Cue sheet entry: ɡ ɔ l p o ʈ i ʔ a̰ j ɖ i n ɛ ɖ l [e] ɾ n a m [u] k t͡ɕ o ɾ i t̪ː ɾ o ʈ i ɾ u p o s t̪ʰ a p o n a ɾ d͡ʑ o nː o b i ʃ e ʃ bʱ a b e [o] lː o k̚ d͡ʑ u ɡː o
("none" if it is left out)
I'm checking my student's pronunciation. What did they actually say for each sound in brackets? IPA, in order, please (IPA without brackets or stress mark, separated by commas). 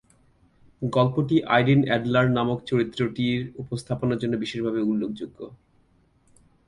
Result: a, o, u